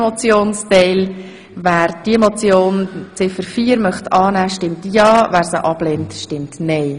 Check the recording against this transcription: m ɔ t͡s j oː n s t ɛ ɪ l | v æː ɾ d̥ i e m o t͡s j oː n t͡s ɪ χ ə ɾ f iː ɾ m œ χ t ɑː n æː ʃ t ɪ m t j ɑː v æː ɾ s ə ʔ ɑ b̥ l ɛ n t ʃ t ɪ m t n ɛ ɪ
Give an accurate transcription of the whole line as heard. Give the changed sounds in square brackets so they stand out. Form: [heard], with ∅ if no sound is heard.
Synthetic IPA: m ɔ t͡s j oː n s t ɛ ɪ l | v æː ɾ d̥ i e m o t͡s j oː n t͡s ɪ [f] ə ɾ f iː ɾ m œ χ t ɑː n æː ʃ t ɪ m t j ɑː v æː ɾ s ə ʔ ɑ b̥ l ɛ n t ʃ t ɪ m t n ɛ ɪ